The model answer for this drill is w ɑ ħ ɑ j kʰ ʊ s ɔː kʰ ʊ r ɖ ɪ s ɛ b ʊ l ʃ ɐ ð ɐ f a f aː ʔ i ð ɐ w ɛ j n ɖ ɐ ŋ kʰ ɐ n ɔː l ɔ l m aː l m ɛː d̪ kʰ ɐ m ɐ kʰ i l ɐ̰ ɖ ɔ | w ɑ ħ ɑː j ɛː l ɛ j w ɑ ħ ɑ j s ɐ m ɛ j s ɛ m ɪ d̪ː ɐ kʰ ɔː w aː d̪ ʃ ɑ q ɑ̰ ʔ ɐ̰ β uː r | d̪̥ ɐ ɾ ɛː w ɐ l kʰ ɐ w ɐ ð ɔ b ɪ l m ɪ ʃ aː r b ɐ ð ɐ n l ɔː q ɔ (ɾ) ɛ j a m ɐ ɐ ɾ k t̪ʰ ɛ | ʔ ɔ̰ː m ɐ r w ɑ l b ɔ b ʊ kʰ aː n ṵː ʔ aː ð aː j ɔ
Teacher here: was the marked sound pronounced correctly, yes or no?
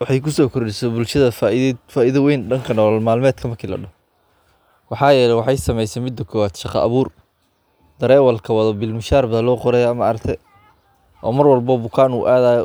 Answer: yes